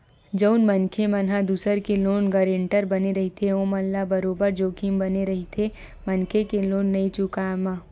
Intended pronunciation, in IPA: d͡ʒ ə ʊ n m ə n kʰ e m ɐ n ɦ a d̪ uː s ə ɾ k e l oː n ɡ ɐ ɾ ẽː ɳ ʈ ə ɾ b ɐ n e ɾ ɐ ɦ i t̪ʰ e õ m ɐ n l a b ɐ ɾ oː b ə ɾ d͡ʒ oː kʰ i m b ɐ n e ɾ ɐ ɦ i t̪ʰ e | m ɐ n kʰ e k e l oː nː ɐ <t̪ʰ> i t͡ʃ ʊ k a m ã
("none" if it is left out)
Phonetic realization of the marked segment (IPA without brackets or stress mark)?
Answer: none